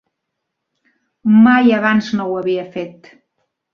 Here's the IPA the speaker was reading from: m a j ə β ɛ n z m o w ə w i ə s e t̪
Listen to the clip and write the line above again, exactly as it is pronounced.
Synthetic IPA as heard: m a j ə β a n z n o w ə β i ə f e t̪